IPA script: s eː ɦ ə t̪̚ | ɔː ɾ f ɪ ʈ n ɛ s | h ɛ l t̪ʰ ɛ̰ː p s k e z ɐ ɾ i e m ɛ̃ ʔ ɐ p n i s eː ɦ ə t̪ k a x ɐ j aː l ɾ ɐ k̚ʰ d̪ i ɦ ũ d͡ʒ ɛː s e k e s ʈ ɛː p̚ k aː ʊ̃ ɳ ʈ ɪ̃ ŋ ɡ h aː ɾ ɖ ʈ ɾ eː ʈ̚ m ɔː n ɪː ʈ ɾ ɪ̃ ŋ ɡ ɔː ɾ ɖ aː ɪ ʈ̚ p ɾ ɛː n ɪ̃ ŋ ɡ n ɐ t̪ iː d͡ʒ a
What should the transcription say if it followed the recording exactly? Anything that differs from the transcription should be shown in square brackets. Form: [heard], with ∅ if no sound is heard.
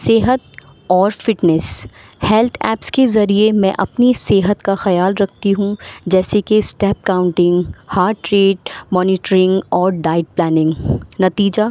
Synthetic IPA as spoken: s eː ɦ ə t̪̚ | ɔː ɾ f ɪ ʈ n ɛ s | h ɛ l t̪ʰ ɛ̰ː p s k e z ɐ ɾ i e m ɛ̃ ʔ ɐ p n i s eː ɦ ə t̪ k a x ɐ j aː l ɾ ɐ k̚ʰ [t̪] i ɦ ũ d͡ʒ ɛː s e k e s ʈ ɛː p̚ k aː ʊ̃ ɳ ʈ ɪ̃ ŋ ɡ h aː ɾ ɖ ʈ ɾ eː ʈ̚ m ɔː n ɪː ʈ ɾ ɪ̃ ŋ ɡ ɔː ɾ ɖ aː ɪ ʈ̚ p [l] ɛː n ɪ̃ ŋ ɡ n ɐ t̪ iː d͡ʒ a

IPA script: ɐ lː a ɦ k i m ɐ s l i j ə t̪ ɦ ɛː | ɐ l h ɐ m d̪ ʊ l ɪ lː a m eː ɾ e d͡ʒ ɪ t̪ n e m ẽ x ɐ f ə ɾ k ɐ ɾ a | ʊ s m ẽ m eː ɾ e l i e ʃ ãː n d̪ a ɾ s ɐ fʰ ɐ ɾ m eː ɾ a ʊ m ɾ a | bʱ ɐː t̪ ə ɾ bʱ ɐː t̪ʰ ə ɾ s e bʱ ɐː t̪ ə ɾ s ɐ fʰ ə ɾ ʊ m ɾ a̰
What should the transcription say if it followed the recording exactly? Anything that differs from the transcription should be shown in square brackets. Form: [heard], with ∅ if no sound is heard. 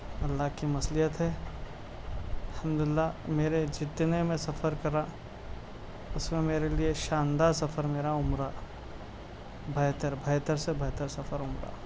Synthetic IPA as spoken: ɐ lː a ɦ k i m ɐ s l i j ə t̪ ɦ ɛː | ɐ l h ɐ m d̪ ʊ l ɪ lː a m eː ɾ e d͡ʒ ɪ t̪ n e m ẽ [s] ɐ f ə ɾ k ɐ ɾ a | ʊ s m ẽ m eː ɾ e l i e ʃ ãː n d̪ a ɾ s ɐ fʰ [ə] ɾ m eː ɾ a ʊ m ɾ a | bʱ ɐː t̪ ə ɾ bʱ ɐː [t̪] ə ɾ s e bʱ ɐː t̪ ə ɾ s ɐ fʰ ə ɾ ʊ m ɾ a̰

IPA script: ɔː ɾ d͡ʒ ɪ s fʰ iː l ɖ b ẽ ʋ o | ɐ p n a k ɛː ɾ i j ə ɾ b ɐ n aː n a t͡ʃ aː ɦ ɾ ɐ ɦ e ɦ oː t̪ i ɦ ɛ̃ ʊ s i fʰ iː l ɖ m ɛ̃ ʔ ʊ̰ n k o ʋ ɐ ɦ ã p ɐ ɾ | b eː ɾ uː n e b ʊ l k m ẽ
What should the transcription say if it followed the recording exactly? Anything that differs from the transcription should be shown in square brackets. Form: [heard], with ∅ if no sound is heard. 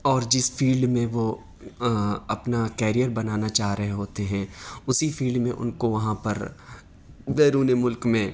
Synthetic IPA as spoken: ɔː ɾ d͡ʒ ɪ s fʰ iː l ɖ [m] ẽ ʋ o | ɐ p n a k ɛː ɾ i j ə ɾ b ɐ n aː n a t͡ʃ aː ɦ ɾ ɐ ɦ e ɦ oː t̪ [e] ɦ ɛ̃ ʊ s i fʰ iː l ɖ m [ẽ] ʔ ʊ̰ n k o ʋ ɐ ɦ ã p ɐ ɾ | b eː ɾ uː n e [m] ʊ l k m ẽ

